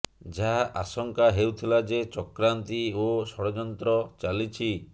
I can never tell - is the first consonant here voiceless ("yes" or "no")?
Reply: no